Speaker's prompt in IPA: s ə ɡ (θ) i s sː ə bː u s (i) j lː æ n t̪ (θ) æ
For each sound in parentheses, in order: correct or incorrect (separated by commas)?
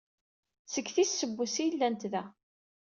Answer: correct, correct, incorrect